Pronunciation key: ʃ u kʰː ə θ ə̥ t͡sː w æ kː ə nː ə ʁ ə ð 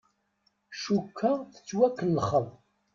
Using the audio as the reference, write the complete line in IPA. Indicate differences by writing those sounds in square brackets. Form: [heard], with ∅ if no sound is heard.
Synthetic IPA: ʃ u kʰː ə θ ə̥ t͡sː w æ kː ə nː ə [χ] ə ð